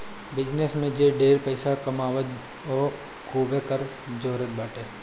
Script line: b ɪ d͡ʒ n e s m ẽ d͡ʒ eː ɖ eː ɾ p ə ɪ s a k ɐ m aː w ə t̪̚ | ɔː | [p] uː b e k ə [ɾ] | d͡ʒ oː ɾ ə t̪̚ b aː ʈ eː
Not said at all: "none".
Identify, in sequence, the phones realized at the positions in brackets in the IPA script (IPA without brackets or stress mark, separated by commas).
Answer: k, ɾ